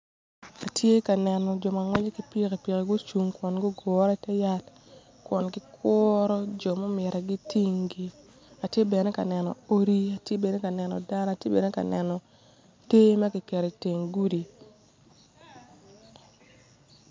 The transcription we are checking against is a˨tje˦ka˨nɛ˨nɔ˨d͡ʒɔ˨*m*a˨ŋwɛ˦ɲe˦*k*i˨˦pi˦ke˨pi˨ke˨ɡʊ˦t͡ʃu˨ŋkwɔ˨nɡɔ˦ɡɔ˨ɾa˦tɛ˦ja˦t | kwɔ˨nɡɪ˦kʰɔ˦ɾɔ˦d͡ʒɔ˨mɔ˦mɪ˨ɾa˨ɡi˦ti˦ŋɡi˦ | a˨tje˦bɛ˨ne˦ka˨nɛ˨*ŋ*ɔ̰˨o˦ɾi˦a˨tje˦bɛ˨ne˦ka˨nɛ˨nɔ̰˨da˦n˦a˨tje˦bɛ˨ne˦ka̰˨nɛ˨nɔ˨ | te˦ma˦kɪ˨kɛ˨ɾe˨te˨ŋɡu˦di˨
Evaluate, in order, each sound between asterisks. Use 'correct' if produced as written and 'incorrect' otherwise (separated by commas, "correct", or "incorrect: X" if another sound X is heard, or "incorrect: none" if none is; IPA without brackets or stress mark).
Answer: correct, correct, incorrect: n